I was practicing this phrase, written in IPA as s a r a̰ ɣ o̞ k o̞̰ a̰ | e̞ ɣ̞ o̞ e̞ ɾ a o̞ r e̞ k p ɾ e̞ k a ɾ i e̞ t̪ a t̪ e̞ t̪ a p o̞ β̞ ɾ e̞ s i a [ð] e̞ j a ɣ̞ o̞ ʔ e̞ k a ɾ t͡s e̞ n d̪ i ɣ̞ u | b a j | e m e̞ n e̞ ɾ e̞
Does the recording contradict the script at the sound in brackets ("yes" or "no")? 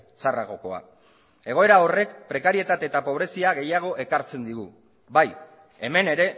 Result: yes